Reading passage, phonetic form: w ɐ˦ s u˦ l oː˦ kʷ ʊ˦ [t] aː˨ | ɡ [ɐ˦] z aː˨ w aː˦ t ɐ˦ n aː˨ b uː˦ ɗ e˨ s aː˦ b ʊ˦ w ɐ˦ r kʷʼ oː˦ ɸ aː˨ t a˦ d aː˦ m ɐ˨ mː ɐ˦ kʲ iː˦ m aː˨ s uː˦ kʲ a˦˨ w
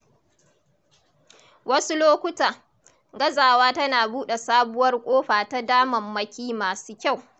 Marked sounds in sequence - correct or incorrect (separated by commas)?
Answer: correct, correct